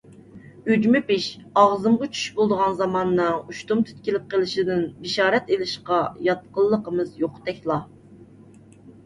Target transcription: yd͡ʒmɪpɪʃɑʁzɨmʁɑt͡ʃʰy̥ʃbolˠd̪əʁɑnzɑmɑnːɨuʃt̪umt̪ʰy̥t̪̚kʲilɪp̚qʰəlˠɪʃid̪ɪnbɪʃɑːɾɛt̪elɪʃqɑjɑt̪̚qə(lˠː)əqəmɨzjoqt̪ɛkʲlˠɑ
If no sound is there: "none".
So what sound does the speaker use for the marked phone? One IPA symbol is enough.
lˠː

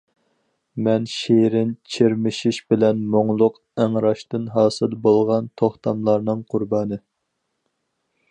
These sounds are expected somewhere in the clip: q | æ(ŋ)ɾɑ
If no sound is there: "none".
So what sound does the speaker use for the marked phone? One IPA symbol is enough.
ŋ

